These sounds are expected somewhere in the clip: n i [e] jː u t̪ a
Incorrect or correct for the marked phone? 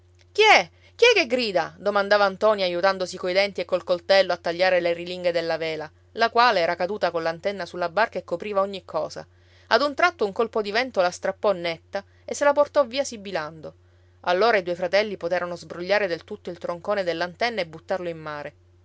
incorrect: a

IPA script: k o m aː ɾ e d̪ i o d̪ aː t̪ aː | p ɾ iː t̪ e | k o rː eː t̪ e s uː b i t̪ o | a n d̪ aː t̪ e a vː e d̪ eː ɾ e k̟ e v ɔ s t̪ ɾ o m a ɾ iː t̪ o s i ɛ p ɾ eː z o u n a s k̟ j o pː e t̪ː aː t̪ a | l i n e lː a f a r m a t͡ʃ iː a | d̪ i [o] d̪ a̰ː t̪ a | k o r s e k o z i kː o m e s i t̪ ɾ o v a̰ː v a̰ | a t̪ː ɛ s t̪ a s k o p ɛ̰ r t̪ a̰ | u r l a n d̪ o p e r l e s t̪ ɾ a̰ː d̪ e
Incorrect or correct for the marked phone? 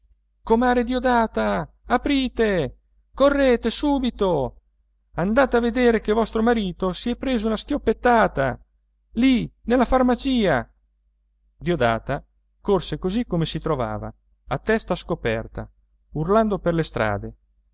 correct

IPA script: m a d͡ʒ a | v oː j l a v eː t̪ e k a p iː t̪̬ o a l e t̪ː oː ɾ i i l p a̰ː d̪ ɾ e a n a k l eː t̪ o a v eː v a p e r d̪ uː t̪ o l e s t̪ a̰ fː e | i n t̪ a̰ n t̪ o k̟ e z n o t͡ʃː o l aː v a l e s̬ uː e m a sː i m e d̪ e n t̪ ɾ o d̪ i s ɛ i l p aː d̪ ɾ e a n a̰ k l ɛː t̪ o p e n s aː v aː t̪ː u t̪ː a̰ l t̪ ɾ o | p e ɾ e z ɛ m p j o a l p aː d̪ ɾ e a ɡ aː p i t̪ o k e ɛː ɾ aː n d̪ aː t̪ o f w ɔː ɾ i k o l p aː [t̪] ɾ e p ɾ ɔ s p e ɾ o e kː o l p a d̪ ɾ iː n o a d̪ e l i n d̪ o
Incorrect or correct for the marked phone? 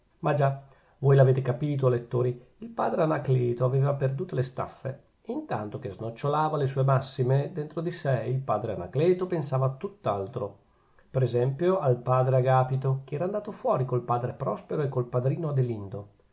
incorrect: d̪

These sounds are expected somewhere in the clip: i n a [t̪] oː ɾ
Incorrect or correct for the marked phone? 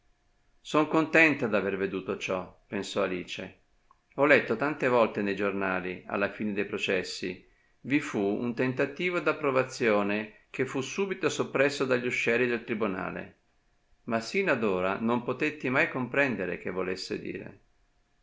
incorrect: d̪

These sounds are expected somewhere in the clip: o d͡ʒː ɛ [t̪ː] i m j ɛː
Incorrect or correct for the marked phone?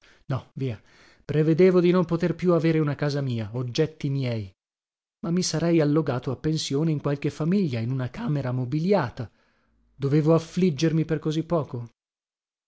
correct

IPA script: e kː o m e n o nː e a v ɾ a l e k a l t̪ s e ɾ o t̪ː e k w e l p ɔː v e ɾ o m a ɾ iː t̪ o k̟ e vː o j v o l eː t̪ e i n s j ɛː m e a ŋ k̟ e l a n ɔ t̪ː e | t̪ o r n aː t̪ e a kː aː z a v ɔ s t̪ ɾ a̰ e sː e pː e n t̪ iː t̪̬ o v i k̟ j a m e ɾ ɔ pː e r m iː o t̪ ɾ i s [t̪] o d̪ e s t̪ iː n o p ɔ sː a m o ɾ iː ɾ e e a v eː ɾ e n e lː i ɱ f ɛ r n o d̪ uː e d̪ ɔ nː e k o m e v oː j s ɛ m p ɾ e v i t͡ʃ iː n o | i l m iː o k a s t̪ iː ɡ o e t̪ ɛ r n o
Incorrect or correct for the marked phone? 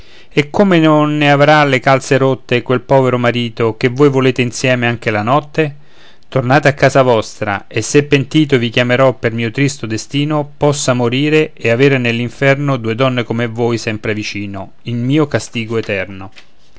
correct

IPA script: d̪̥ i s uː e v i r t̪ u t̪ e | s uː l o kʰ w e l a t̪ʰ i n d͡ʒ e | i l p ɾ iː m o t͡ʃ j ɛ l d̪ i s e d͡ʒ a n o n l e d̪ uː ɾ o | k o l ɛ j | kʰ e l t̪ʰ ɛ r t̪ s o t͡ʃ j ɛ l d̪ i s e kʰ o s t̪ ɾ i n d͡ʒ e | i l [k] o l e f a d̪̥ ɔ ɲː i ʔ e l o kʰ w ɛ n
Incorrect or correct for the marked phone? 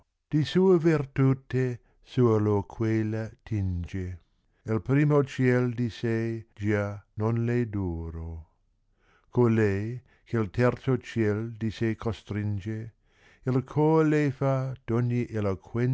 incorrect: kʰ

